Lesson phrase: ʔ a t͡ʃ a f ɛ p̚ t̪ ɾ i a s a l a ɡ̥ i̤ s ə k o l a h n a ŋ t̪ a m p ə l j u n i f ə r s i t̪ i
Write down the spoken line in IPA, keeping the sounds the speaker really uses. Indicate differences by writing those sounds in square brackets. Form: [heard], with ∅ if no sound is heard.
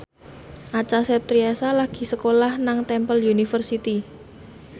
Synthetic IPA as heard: ʔ a t͡ʃ a [s] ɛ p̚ t̪ ɾ i a s a l a ɡ̥ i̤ s ə k o l a h n a ŋ t̪ [ɛ] m p ə l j u n i f ə r s i t̪ i